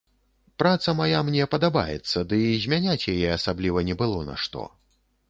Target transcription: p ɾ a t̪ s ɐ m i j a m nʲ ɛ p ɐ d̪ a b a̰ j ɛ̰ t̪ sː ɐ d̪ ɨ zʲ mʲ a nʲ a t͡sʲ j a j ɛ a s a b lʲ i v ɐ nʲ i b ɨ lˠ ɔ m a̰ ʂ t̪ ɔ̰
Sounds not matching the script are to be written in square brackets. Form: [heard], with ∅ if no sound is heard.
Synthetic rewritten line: p ɾ a t̪ s ɐ m [a] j a m nʲ ɛ p ɐ d̪ a b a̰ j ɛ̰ t̪ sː ɐ d̪ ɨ zʲ mʲ a nʲ a t͡sʲ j a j ɛ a s a b lʲ i v ɐ nʲ [ɛ] b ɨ lˠ ɔ [n] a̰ ʂ t̪ ɔ̰